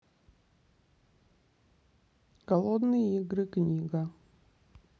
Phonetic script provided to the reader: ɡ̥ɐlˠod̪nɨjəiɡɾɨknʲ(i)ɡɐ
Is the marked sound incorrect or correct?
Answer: correct